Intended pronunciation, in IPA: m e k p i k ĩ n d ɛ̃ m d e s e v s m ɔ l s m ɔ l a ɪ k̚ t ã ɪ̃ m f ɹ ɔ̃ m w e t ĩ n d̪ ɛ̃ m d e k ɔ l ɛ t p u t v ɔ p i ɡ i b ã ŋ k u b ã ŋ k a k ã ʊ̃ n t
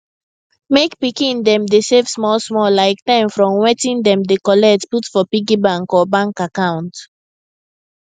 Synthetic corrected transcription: m e k p i k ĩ n d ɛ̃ m d e s e v s m ɔ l s m ɔ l a ɪ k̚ t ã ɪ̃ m f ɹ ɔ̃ m w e t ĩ n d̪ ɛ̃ m d e k ɔ l ɛ t p u t f ɔ p i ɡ i b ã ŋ k ɔ b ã ŋ k a k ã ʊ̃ n t